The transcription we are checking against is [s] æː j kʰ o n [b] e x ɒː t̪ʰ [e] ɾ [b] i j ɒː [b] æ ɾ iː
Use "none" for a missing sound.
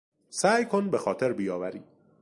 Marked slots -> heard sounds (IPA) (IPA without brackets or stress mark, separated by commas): s, b, e, b, v